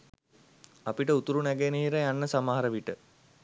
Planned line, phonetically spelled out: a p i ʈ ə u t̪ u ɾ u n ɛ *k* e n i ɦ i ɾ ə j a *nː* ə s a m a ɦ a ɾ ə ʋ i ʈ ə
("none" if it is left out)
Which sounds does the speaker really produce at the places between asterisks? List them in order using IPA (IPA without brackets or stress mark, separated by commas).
ɡ, nː